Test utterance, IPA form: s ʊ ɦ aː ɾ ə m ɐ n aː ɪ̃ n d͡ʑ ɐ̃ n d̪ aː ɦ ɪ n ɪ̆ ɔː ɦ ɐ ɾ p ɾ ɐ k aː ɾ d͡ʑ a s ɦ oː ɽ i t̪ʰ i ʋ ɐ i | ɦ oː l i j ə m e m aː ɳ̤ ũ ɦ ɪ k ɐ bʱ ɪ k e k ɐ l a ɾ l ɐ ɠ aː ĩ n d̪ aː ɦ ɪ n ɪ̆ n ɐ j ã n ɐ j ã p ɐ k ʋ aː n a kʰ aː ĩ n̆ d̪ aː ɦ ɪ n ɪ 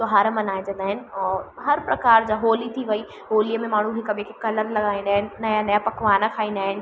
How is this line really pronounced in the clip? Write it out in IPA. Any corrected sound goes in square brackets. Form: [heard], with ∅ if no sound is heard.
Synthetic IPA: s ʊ ɦ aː ɾ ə m ɐ n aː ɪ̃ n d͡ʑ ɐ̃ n d̪ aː ɦ ɪ n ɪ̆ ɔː ɦ ɐ ɾ p ɾ ɐ k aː ɾ d͡ʑ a [∅] ɦ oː [l] i t̪ʰ i ʋ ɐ i | ɦ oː l i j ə m [ẽ] m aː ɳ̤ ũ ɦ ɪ k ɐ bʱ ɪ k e k ɐ l [ə] ɾ l ɐ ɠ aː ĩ n d̪ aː ɦ ɪ n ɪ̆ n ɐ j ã n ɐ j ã p ɐ k ʋ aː n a kʰ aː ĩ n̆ d̪ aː ɦ ɪ n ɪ